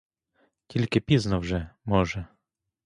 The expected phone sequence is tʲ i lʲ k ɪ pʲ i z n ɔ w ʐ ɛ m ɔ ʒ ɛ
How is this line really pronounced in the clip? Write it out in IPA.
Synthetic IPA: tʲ i lʲ k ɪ pʲ i z n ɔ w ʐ ɛ m ɔ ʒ ɛ